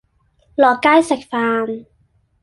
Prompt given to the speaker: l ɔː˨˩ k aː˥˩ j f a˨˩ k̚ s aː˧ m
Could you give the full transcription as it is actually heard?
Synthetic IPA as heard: l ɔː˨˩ k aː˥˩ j s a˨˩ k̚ f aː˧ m